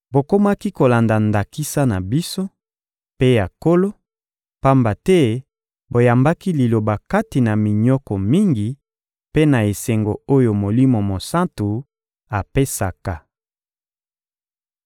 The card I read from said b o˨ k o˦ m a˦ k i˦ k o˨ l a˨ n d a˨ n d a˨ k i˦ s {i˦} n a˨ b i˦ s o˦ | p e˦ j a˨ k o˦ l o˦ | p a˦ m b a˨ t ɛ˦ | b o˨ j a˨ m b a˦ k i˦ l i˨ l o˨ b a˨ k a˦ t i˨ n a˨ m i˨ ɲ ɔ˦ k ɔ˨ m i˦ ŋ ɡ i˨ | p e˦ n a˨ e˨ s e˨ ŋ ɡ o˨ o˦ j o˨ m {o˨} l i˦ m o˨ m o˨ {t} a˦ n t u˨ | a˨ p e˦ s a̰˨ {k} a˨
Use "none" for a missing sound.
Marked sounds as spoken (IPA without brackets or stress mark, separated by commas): a˦, o˨, s, k